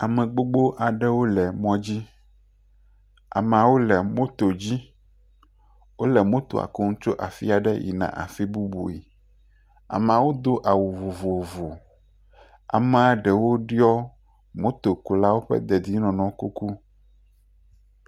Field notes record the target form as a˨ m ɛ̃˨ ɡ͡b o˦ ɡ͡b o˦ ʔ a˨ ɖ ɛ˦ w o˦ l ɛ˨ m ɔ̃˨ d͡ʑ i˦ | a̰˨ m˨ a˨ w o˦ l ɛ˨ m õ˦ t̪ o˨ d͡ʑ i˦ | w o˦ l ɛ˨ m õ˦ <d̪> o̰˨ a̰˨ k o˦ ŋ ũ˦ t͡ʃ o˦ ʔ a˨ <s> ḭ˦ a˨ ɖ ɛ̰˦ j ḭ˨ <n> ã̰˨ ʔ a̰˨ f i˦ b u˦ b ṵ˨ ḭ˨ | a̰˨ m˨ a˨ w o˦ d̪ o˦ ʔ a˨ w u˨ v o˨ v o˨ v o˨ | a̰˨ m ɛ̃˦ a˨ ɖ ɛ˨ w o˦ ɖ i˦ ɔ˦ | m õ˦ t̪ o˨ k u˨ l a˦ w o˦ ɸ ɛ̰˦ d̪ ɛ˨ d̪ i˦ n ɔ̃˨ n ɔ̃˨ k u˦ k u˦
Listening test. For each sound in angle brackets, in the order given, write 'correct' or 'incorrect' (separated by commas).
incorrect, incorrect, correct